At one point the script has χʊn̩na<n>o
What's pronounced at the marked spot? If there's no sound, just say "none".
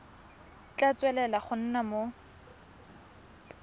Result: m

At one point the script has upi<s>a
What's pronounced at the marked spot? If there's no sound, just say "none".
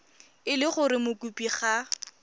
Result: χ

